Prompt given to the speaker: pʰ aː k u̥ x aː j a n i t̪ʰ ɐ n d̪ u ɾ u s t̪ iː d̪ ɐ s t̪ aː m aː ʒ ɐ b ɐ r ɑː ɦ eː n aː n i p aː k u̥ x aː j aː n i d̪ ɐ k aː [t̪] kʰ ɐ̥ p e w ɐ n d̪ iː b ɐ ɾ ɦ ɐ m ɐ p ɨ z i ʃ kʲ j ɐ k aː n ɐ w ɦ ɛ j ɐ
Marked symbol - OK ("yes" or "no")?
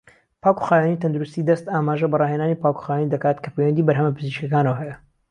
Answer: yes